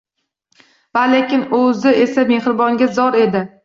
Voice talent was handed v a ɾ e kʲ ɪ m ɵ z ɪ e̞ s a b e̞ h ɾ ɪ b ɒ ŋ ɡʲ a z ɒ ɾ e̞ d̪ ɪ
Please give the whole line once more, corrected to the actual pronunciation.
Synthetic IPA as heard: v a l e kʲ ɪ n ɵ z ɪ e̞ s a m e̞ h ɾ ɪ b ɒ ŋ ɡʲ a z ɒ ɾ e̞ d̪ ɪ